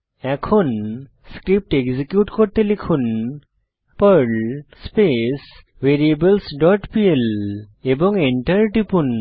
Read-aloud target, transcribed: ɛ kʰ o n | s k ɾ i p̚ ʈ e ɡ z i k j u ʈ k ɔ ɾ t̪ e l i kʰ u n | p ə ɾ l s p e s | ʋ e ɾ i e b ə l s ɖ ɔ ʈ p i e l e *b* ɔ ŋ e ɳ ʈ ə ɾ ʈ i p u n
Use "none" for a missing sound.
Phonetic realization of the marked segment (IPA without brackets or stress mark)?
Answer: b